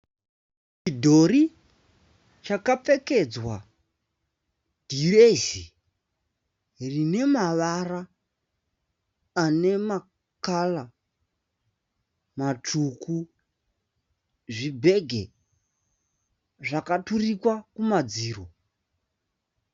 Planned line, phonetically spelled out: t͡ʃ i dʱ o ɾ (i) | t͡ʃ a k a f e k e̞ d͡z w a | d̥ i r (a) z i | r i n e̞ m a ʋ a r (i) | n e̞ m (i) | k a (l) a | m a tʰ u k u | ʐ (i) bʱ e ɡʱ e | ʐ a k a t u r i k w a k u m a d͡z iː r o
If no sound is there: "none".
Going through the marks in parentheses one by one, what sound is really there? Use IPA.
i, e, a, a, l, i

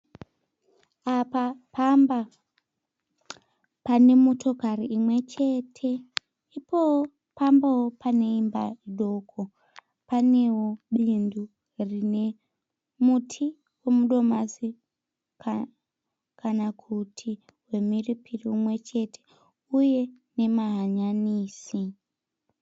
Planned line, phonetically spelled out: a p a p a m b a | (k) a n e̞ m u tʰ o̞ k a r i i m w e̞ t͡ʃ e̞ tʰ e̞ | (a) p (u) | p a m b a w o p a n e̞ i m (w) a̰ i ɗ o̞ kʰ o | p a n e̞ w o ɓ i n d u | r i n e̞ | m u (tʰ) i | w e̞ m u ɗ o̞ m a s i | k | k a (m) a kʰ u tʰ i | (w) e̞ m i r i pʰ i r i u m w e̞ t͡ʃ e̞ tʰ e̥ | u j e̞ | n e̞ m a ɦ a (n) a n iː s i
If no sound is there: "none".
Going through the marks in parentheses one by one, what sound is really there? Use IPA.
p, i, o, b, tʰ, n, w, ɲ

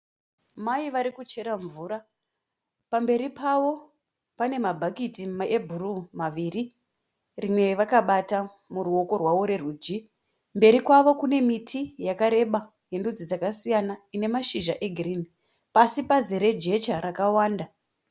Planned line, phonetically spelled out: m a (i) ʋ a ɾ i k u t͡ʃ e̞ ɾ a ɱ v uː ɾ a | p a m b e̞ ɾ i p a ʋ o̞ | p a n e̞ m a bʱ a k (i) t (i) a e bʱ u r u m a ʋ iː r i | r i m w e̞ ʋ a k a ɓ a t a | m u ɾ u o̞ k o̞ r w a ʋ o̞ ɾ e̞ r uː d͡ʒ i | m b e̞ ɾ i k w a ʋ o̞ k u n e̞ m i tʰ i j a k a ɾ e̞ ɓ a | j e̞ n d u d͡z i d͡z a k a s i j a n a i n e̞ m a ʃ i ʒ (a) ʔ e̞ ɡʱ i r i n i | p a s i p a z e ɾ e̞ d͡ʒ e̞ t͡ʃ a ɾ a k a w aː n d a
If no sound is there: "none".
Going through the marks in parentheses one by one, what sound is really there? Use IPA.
i, i, i, a

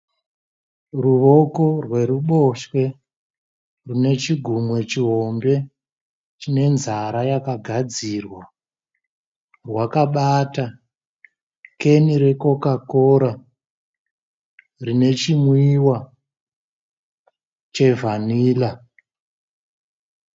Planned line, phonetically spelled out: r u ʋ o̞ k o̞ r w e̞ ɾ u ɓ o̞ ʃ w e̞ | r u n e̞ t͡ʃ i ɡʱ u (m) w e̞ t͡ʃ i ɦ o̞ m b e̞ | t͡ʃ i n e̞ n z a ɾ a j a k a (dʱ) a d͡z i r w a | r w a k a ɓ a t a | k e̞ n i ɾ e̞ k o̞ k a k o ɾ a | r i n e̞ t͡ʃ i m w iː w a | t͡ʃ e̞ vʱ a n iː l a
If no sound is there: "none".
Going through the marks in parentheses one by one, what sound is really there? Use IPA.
m, ɡʱ

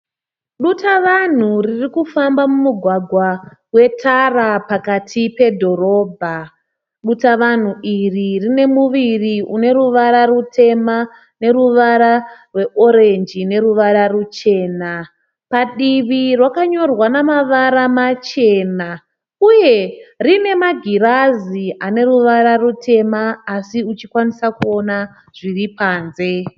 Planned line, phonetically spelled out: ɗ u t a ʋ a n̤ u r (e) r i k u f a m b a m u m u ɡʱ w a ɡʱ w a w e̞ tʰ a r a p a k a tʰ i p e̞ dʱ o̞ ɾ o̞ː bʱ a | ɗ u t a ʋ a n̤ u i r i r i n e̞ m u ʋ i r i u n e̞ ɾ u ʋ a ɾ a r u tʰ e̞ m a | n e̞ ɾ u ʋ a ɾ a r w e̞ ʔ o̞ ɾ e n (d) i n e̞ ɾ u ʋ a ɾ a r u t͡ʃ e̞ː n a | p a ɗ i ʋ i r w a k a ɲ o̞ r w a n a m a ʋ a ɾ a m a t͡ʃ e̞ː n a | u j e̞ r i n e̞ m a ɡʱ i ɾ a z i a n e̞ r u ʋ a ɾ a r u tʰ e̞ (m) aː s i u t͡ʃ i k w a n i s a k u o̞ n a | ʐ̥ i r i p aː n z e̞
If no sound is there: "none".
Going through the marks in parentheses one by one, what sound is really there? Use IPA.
i, d͡ʒ, m

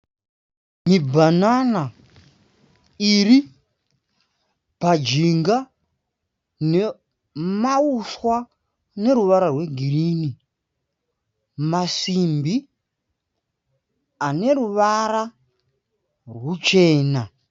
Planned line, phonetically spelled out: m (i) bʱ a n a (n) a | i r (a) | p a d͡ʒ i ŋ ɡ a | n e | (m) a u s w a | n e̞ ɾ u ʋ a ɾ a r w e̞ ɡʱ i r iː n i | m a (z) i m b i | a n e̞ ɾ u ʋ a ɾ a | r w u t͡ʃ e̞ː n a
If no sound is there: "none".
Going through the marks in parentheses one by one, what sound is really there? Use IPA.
i, n, i, m, s

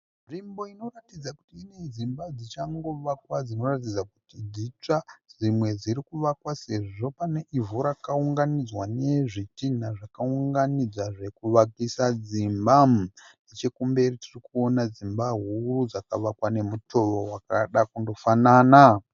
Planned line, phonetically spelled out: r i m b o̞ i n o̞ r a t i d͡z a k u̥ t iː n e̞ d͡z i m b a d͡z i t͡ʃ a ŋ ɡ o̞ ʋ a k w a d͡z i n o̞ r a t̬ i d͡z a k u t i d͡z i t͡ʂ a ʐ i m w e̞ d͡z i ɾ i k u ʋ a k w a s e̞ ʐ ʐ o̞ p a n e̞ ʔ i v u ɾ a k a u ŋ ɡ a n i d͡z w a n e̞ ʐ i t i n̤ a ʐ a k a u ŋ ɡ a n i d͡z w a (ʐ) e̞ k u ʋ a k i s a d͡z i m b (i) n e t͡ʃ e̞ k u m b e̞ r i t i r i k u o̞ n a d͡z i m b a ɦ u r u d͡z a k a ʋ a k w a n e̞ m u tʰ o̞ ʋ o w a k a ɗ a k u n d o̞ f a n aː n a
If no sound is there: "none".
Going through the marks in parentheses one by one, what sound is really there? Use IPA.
ʐ, a

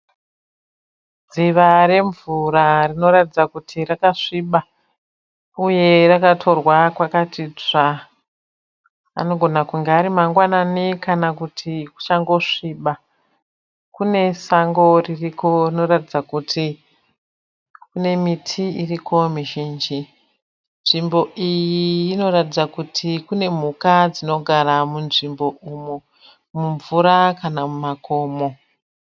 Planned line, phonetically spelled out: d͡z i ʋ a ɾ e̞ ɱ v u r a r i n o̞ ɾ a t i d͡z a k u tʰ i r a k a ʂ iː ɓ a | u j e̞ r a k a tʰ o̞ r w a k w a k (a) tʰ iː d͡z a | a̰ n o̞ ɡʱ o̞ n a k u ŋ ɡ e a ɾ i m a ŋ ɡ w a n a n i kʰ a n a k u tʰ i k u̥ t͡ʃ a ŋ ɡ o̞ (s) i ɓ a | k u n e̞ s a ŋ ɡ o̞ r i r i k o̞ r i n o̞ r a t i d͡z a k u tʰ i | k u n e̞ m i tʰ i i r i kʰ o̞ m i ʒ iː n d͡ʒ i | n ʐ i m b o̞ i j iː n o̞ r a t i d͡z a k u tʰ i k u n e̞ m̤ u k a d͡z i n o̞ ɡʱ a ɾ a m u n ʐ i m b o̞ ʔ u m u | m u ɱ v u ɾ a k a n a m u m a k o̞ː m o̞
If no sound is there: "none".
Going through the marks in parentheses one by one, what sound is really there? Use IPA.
a, ʂ

